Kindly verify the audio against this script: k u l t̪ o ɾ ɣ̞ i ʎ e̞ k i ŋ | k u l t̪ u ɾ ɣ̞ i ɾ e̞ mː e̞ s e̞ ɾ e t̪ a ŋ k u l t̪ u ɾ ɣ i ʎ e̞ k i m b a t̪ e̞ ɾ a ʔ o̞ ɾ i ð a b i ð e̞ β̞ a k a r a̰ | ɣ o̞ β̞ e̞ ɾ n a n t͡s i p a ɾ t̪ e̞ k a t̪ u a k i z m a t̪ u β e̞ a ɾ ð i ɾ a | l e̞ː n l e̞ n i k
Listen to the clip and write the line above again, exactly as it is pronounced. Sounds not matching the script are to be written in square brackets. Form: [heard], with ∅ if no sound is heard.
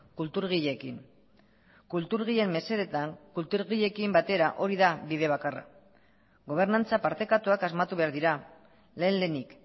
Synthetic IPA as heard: k u l t̪ [u] ɾ ɣ̞ i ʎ e̞ k i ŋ | k u l t̪ u ɾ ɣ̞ i [ʎ] e̞ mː e̞ s e̞ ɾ e t̪ a ŋ k u l t̪ u ɾ ɣ i ʎ e̞ k i m b a t̪ e̞ ɾ a ʔ o̞ ɾ i ð a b i ð e̞ β̞ a k a r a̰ | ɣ o̞ β̞ e̞ ɾ n a n t͡s [a] p a ɾ t̪ e̞ k a t̪ u a k [a] z m a t̪ u β e̞ a ɾ ð i ɾ a | l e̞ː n l e̞ n i k